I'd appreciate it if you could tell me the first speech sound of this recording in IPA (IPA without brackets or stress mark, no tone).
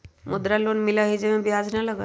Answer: m